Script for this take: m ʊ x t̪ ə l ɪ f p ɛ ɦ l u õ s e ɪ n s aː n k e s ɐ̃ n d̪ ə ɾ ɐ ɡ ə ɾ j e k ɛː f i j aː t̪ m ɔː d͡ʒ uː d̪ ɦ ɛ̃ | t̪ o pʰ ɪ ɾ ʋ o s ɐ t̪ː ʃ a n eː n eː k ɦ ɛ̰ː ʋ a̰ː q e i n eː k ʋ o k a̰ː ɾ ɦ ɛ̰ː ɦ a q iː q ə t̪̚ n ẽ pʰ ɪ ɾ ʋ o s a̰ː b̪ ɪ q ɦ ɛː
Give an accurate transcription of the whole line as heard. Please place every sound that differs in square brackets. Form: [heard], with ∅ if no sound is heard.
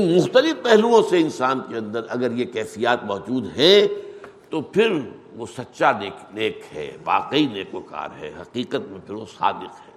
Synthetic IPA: m ʊ x t̪ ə l ɪ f p ɛ ɦ l u õ s e ɪ n s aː n k e [∅] ɐ̃ n d̪ ə ɾ ɐ ɡ ə ɾ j e k ɛː f i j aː t̪ m ɔː d͡ʒ uː d̪ ɦ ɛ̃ | t̪ o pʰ ɪ ɾ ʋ o s ɐ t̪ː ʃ a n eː n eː k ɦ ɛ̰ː ʋ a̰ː q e i n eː k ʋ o k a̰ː ɾ ɦ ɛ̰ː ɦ [ɐ] q iː q ə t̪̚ [m] ẽ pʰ ɪ ɾ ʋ o s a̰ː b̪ ɪ q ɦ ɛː